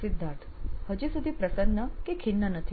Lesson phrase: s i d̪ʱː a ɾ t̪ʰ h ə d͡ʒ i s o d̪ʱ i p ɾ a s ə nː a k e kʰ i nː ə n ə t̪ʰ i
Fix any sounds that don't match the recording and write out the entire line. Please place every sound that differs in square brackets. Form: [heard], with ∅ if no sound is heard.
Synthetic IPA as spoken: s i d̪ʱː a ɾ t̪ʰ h ə d͡ʒ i s [u] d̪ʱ i p ɾ [ə] s ə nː [ə] k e kʰ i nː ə n ə t̪ʰ i